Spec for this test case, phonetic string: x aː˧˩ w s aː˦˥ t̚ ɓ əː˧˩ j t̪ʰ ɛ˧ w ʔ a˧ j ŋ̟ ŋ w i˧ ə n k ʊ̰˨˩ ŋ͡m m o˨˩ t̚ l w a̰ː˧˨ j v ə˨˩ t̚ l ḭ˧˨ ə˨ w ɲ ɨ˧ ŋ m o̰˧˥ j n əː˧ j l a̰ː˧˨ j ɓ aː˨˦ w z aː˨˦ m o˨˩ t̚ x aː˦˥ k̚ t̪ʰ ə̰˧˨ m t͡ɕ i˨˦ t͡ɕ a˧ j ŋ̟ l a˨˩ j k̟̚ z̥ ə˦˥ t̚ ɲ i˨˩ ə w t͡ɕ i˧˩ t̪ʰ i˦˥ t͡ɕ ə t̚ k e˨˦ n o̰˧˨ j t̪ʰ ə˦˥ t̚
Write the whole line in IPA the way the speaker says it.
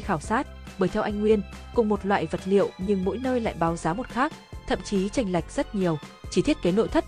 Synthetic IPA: x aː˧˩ w s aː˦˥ t̚ ɓ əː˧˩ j t̪ʰ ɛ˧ w ʔ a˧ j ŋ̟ ŋ w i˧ ə n k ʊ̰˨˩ ŋ͡m m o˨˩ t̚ l w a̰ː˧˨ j v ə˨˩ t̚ l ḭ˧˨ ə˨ w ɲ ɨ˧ ŋ m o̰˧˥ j n əː˧ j l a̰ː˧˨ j ɓ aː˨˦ w z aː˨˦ m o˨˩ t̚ x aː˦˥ k̚ t̪ʰ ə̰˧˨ m t͡ɕ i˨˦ t͡ɕ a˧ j ŋ̟ l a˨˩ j k̟̚ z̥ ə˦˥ t̚ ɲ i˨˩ ə w t͡ɕ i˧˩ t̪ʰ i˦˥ ə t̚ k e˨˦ n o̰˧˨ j t̪ʰ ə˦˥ t̚